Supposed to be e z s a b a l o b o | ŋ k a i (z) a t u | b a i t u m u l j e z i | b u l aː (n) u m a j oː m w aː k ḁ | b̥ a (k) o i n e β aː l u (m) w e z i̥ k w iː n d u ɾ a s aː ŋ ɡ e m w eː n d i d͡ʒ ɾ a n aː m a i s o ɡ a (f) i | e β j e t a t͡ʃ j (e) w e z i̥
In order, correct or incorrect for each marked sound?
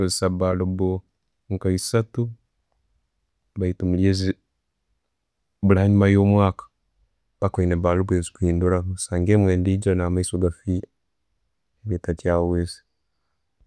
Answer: incorrect: s, incorrect: ɲ, correct, incorrect: b, correct, incorrect: a

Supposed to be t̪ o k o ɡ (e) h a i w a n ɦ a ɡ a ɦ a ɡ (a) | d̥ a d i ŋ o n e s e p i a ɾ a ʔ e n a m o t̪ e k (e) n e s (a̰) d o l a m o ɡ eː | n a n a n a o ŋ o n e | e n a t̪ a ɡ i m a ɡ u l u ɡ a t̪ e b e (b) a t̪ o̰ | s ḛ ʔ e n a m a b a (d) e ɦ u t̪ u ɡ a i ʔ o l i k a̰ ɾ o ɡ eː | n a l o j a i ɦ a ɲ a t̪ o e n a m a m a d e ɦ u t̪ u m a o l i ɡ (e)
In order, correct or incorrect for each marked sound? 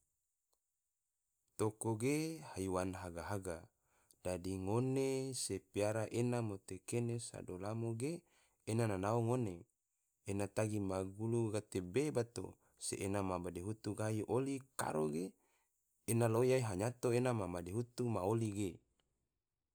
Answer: correct, correct, correct, correct, correct, correct, correct

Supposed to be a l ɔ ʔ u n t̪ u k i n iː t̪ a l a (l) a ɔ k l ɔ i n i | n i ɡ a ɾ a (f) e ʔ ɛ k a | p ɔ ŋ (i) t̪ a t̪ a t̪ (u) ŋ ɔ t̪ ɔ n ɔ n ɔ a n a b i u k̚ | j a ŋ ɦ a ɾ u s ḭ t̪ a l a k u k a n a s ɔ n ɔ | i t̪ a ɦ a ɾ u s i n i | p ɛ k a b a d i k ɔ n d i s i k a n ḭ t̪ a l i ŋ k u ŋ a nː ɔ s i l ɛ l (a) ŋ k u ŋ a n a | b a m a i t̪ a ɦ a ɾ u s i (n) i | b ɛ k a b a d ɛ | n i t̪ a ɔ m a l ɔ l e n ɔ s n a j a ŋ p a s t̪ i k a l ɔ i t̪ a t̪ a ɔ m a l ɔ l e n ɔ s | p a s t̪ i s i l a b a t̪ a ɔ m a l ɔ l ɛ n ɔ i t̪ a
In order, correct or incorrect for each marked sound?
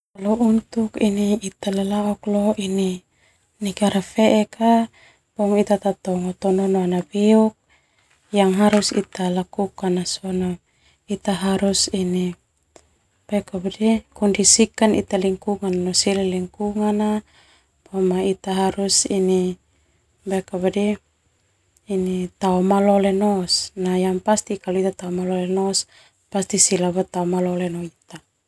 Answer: correct, correct, correct, incorrect: ɔ, incorrect: i, correct

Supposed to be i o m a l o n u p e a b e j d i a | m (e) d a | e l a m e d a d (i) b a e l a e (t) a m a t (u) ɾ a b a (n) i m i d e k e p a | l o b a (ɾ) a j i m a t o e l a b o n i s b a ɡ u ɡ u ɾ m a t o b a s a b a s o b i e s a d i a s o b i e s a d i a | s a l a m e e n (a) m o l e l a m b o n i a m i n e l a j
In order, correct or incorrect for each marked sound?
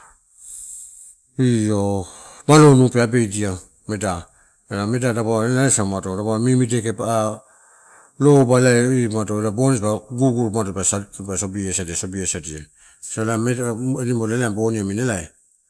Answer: correct, incorrect: a, incorrect: s, incorrect: o, incorrect: m, incorrect: l, incorrect: i

